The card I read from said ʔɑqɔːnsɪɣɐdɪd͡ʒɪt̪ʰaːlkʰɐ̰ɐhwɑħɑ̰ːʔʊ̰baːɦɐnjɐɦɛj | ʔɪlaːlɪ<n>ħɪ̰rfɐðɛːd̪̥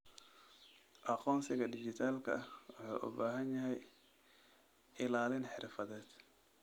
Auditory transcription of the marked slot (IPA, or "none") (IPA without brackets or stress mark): n